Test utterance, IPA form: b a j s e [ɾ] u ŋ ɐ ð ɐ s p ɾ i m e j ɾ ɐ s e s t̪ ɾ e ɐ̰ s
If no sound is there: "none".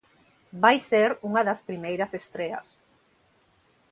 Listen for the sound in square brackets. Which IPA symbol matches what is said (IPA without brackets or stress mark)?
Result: ɾ